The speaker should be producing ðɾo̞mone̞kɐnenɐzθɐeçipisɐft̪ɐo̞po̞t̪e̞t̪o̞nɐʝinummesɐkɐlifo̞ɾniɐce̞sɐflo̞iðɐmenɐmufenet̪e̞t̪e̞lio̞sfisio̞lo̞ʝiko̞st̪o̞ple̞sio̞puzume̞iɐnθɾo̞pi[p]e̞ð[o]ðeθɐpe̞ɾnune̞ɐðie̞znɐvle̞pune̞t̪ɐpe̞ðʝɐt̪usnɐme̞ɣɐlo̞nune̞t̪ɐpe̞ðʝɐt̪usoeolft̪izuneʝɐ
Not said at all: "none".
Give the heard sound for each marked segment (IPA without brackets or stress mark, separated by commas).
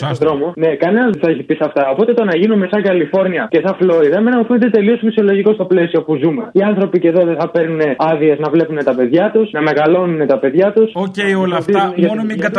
c, o